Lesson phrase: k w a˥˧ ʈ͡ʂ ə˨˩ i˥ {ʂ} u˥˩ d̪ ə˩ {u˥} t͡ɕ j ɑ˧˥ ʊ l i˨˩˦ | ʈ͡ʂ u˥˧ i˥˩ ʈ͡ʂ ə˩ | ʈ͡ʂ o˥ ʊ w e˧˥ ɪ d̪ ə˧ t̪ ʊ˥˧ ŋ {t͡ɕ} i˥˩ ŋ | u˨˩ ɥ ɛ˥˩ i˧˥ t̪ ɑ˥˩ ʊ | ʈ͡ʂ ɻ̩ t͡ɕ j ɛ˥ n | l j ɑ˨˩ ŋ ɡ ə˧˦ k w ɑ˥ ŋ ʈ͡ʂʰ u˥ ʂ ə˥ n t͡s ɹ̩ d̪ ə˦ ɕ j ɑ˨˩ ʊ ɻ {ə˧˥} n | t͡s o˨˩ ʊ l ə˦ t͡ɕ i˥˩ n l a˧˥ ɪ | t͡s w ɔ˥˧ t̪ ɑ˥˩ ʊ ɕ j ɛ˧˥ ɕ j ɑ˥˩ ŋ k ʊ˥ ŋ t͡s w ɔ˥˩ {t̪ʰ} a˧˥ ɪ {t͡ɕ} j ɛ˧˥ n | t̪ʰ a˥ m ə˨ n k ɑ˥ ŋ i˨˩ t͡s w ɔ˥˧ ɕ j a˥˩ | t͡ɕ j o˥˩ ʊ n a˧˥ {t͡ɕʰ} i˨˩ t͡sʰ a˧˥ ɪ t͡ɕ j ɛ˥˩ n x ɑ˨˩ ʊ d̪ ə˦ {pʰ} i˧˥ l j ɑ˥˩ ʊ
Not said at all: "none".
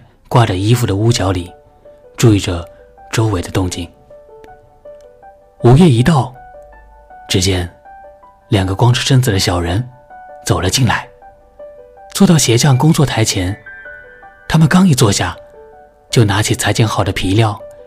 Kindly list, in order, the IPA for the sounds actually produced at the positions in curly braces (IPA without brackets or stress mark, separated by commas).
f, u˥, t͡ɕ, ə˧˥, t̪ʰ, t͡ɕʰ, t͡ɕʰ, pʰ